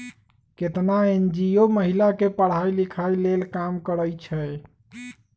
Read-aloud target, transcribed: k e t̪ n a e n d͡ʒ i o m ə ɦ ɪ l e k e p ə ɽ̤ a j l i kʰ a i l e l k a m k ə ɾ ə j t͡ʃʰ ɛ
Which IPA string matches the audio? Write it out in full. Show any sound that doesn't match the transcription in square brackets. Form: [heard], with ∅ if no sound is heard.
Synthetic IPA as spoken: k e t̪ n a e n d͡ʒ i o m ə ɦ [i] l [a] k e p ə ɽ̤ a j l i kʰ a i l e l k a m k ə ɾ ə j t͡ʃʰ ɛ

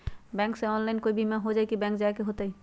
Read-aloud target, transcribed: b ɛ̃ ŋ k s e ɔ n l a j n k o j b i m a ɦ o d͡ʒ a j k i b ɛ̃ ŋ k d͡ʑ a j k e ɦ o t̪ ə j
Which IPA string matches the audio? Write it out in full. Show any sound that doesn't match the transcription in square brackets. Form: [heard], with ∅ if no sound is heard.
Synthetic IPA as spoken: b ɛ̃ ŋ k s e ɔ n l a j n k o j b i m a ɦ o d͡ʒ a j k i b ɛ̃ ŋ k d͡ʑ a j k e ɦ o t̪ [a] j

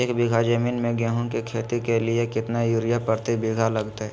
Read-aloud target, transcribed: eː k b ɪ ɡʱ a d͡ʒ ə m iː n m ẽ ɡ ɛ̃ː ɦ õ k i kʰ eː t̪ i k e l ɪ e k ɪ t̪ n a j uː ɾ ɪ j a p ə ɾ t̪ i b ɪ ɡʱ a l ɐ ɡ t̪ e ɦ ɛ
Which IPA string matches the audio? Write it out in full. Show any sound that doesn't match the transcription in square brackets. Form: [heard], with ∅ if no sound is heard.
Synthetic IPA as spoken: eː k b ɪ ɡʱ a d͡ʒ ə m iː n m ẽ ɡ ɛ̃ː ɦ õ k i kʰ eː t̪ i k e l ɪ e k ɪ t̪ n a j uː ɾ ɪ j a p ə ɾ t̪ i b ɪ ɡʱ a l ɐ ɡ t̪ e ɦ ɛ

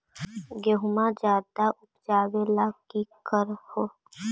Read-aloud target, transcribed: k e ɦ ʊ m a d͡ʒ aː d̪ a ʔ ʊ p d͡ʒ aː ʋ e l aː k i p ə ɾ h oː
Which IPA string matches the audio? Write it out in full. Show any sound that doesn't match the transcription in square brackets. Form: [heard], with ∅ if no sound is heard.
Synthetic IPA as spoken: [ɡ] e ɦ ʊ m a d͡ʒ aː d̪ a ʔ ʊ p d͡ʒ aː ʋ e l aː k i [k] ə ɾ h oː

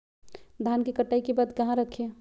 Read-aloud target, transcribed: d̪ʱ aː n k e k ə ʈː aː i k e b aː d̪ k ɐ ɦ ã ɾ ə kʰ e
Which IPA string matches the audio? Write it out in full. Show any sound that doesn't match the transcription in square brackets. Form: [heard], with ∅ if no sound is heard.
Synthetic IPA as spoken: d̪ʱ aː n k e k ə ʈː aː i k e b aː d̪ k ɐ ɦ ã ɾ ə kʰ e

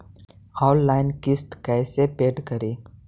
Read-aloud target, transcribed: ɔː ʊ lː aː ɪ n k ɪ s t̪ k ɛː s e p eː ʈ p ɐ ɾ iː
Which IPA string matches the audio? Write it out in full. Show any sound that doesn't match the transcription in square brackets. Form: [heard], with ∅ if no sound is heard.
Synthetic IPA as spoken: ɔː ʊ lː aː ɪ n k ɪ s t̪ k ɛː s e p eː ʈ [k] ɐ ɾ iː

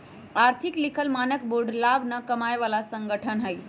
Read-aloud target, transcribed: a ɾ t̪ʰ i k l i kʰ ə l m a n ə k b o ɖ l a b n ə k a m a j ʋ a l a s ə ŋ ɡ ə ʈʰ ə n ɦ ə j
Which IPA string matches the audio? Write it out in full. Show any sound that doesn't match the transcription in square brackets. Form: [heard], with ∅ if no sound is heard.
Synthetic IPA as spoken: a ɾ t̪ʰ i k l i kʰ ə l m a n ə k b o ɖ l a b n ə k [ə] m a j ʋ a l a s ə ŋ ɡ ə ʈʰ ə n ɦ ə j

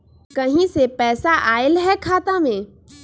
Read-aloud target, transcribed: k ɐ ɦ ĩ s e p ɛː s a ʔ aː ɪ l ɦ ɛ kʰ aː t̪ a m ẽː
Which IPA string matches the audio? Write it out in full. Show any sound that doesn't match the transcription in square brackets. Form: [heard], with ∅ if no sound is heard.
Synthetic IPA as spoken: k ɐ ɦ ĩ s e p ɛː s a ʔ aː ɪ l ɦ ɛ kʰ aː t̪ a m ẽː

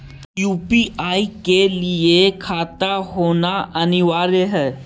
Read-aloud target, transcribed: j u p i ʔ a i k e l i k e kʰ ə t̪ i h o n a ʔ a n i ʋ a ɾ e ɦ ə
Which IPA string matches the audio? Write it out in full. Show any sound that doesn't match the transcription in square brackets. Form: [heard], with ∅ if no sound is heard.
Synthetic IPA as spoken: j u p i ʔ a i k e l i [∅] e kʰ [a] t̪ [a] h o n a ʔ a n i ʋ a ɾ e ɦ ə

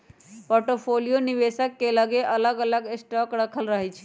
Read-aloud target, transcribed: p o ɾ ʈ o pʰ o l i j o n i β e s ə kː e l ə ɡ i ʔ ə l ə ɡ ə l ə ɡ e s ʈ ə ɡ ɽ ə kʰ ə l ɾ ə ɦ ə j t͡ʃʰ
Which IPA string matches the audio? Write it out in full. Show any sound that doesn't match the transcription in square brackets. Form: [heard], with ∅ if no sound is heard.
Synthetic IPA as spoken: p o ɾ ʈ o pʰ o l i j o n i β e s ə kː e l ə ɡ [e] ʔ ə l ə ɡ ə l ə ɡ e s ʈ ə [k] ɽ ə kʰ ə l ɾ ə ɦ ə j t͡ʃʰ

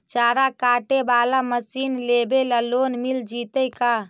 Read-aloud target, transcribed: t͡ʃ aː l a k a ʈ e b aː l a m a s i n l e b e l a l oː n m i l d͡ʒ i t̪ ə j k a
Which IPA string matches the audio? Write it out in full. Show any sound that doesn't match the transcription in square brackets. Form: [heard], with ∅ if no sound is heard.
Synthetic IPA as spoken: t͡ʃ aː [ɾ] a k a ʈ e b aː l a m [ə] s i n l e b e l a l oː n m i l d͡ʒ i t̪ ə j k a

